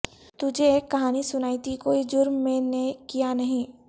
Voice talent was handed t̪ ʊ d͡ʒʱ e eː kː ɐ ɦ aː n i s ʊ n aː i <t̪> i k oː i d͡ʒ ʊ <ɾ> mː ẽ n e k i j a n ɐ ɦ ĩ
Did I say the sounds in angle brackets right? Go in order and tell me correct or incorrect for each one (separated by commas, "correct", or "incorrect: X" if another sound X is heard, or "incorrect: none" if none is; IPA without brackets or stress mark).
correct, correct